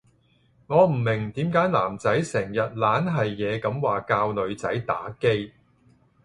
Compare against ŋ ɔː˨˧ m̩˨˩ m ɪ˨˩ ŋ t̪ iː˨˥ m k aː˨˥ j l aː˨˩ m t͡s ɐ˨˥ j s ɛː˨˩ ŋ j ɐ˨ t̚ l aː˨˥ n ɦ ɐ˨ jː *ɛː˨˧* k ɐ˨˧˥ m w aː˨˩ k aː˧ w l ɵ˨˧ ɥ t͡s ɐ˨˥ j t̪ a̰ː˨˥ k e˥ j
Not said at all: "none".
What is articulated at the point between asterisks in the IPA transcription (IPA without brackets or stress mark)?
ɛː˨˧